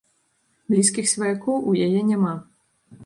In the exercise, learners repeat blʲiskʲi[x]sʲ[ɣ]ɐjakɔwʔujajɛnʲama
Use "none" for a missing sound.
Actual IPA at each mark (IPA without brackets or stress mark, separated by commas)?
x, v